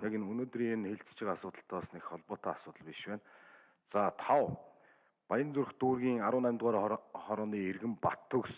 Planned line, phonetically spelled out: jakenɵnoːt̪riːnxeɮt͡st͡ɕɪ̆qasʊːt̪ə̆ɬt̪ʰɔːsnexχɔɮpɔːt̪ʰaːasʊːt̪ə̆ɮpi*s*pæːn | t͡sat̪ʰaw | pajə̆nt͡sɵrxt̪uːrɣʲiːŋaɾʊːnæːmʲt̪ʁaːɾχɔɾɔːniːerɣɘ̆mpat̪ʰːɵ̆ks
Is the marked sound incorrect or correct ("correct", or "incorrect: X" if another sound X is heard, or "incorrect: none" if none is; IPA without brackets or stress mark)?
incorrect: ʃ